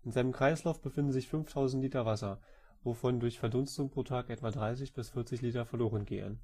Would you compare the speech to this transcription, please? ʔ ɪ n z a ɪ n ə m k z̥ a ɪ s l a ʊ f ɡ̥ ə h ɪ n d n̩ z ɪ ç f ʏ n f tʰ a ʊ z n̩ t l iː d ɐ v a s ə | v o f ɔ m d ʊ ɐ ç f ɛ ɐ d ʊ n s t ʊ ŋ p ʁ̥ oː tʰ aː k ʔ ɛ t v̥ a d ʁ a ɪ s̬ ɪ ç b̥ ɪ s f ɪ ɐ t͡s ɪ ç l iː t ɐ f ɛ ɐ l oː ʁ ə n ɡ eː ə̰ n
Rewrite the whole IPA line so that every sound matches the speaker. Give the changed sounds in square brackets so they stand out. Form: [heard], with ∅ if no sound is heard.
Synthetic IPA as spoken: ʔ ɪ n z a ɪ n ə m k [ʁ̥] a ɪ s l a ʊ f [b̥] ə [f] ɪ n d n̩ z ɪ ç f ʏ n f tʰ a ʊ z n̩ t l iː [t] ɐ v a s [ɐ] | v o f ɔ [n] d ʊ ɐ ç f ɛ ɐ d ʊ n s t ʊ ŋ p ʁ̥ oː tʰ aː k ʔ ɛ t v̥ a d ʁ a ɪ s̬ ɪ ç b̥ ɪ s f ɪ ɐ t͡s ɪ ç l iː t ɐ f ɛ ɐ l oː ʁ ə n ɡ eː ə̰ n